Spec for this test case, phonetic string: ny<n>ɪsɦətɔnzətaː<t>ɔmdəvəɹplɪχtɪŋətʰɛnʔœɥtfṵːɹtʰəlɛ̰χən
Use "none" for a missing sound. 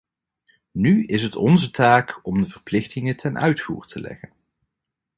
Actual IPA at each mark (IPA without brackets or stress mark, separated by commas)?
none, k